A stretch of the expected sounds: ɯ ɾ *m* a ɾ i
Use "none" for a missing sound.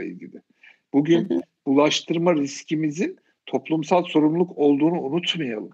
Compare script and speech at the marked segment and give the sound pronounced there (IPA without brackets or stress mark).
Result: m